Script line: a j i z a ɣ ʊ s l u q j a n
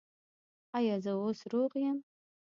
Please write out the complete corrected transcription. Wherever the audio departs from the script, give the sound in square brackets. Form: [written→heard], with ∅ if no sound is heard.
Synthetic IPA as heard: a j [i→a] z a [ɣ→w] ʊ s [l→r] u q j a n